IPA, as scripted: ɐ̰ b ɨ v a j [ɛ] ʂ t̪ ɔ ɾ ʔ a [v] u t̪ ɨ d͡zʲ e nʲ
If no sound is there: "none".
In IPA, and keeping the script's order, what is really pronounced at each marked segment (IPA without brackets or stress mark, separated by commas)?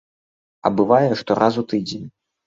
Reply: ɛ, z